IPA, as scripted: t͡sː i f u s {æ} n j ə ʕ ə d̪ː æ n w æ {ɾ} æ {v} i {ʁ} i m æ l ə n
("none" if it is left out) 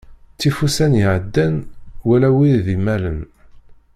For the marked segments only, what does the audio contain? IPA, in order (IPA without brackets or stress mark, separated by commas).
æ, l, w, ð